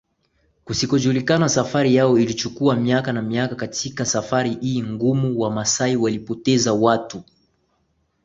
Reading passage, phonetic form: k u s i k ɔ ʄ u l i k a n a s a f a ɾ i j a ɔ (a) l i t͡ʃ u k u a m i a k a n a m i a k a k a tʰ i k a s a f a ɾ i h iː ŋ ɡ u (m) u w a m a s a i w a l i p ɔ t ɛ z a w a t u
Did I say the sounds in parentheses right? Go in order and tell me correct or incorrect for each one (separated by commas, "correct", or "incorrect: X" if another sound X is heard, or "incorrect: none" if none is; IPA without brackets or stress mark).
incorrect: i, correct